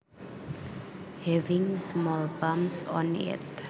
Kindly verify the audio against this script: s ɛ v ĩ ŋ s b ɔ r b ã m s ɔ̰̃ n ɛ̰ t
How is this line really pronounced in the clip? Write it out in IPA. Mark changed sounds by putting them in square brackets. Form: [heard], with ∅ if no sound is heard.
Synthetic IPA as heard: [h] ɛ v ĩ ŋ s [m] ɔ [l] b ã m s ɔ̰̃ n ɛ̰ t